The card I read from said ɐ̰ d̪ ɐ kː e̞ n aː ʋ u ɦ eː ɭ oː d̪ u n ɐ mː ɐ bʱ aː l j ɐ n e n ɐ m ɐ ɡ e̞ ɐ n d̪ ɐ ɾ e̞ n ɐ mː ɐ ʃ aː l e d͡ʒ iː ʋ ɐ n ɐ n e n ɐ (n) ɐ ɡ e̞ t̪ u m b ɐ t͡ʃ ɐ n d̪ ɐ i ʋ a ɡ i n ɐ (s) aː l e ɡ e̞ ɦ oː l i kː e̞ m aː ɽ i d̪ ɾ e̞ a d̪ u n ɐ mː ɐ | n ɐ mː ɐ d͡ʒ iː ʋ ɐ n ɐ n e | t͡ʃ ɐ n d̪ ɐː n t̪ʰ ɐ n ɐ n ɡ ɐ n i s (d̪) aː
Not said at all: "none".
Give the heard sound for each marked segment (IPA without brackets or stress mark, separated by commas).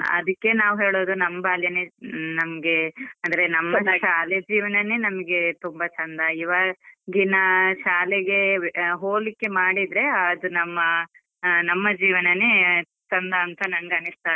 m, ʃ, t̪